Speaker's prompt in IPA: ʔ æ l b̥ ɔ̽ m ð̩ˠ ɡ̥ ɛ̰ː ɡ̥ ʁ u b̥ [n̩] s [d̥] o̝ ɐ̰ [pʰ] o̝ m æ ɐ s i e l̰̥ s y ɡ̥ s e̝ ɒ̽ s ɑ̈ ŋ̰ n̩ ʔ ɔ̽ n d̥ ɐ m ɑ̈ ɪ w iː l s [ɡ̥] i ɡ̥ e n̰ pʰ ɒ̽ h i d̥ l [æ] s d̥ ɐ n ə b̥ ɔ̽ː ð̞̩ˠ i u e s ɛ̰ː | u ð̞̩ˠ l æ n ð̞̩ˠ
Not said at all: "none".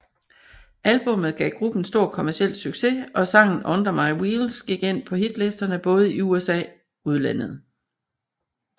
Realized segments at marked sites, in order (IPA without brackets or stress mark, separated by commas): n̩, d̥, kʰ, ɡ̥, e